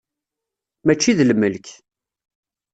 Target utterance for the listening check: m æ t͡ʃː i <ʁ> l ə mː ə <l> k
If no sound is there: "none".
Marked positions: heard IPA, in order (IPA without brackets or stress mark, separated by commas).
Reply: ð, l